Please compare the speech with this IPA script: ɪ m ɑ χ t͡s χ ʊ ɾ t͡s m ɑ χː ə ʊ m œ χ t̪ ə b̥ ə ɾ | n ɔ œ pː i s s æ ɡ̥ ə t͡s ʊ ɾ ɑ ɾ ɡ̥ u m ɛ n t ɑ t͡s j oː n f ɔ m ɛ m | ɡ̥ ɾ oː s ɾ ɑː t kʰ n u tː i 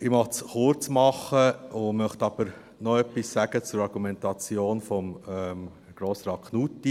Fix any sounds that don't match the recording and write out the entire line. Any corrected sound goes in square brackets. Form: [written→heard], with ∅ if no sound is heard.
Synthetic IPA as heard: ɪ m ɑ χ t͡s χ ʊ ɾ t͡s m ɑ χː ə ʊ m œ χ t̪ [ə→ɑ] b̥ ə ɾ | n ɔ œ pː i s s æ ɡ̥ ə t͡s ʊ ɾ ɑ ɾ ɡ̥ u m ɛ n t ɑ t͡s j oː n f ɔ m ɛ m | ɡ̥ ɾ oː s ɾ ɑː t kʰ n u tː i